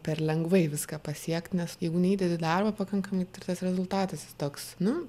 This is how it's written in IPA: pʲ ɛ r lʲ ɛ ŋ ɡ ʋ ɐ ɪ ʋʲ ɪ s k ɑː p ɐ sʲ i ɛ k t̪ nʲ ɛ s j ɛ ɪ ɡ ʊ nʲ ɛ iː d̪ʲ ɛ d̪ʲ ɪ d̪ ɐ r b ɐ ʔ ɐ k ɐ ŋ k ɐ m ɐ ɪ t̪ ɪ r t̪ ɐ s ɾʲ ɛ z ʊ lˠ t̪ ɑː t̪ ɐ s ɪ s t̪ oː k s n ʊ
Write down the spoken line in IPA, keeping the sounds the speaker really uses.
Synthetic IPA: pʲ ɛ r lʲ ɛ ŋ ɡ ʋ ɐ ɪ ʋʲ ɪ s k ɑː p ɐ sʲ i ɛ k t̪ nʲ ɛ s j ɛ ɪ ɡ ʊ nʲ ɛ iː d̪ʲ ɛ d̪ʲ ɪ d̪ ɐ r b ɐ p ɐ k ɐ ŋ k ɐ m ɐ ɪ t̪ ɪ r t̪ ɐ s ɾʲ ɛ z ʊ lˠ t̪ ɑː t̪ ɐ s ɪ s t̪ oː k s n ʊ

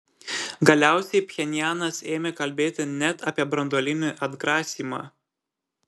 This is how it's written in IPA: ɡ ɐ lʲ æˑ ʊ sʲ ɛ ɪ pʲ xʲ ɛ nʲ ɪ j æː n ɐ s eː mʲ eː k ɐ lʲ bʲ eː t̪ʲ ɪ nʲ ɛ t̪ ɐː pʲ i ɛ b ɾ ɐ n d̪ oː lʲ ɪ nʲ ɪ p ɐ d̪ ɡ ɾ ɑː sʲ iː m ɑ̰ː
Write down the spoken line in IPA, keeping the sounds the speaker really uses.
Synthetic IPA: ɡ ɐ lʲ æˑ ʊ sʲ ɛ ɪ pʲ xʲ ɛ nʲ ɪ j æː n ɐ s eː mʲ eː k ɐ lʲ bʲ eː t̪ʲ ɪ nʲ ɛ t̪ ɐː pʲ i ɛ b ɾ ɐ n d̪ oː lʲ ɪ nʲ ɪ ʔ ɐ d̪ ɡ ɾ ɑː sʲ iː m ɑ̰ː

